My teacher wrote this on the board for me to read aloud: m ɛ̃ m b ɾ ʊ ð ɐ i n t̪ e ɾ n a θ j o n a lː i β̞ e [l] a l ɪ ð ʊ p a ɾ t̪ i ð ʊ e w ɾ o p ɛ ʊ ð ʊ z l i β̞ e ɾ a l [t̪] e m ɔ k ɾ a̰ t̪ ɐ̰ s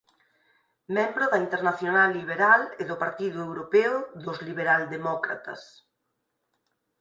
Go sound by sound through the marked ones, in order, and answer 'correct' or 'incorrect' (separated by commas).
incorrect, incorrect